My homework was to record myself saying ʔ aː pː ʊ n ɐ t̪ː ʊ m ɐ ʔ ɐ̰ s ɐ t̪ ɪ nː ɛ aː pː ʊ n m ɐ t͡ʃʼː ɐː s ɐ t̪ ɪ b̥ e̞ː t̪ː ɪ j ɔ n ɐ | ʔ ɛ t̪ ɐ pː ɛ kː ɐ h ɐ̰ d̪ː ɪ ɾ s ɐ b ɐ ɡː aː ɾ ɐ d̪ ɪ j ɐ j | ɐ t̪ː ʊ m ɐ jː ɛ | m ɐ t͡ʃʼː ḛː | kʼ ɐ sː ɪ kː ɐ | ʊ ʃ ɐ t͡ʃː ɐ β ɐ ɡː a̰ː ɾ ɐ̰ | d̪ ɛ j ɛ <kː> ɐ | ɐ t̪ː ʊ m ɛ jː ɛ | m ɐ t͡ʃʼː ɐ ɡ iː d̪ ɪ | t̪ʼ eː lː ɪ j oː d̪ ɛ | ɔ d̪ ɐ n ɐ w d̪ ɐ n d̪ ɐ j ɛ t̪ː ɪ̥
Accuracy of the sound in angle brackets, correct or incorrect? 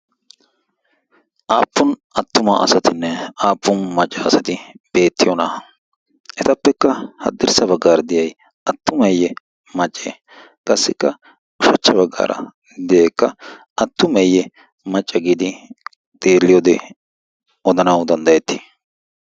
correct